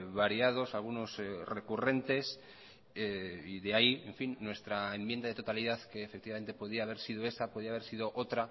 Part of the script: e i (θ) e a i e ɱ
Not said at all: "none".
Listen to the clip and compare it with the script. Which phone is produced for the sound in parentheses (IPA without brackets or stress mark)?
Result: ð